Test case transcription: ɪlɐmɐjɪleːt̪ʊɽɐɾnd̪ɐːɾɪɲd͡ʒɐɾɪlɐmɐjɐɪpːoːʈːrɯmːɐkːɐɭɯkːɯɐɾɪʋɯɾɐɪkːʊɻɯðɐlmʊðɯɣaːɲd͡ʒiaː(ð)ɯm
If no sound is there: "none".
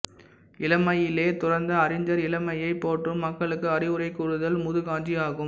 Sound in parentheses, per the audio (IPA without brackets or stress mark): ɣ